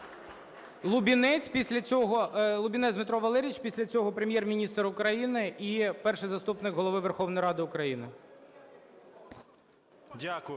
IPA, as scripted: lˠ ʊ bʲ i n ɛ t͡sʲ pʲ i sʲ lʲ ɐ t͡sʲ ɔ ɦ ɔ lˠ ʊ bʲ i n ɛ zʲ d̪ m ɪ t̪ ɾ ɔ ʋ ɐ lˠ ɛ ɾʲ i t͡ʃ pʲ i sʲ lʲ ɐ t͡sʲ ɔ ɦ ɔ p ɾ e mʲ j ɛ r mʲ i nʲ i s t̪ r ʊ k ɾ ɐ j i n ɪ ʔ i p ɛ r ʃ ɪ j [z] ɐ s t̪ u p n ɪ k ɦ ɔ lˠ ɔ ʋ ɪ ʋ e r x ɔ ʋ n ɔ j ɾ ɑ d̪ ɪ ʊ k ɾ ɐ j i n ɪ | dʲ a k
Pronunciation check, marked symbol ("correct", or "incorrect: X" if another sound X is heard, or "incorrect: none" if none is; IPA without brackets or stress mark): correct